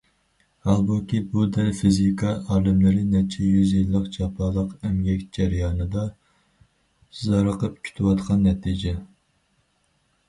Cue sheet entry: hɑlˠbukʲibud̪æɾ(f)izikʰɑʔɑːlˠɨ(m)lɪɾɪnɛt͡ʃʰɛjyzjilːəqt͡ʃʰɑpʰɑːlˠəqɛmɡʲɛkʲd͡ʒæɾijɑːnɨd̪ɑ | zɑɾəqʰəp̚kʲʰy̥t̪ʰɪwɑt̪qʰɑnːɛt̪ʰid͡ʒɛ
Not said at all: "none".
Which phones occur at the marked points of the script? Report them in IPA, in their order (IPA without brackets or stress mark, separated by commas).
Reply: f, m